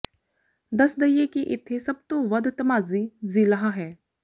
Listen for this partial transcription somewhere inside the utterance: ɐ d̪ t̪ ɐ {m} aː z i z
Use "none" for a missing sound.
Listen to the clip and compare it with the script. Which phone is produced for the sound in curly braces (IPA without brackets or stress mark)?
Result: m